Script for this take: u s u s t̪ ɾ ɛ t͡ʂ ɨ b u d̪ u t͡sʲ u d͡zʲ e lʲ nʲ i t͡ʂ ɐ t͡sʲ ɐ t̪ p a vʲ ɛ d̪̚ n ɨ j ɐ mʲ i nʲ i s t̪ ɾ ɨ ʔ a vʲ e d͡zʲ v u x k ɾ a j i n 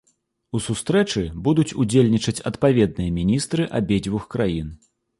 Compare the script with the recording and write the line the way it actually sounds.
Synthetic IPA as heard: u s u s t̪ ɾ ɛ t͡ʂ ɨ b u d̪ u t͡sʲ u d͡zʲ e lʲ nʲ i t͡ʂ ɐ t͡sʲ ɐ t̪ p a vʲ ɛ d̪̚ n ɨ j ɐ mʲ i nʲ i s t̪ ɾ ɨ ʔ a bʲ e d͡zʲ v u x k ɾ a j i n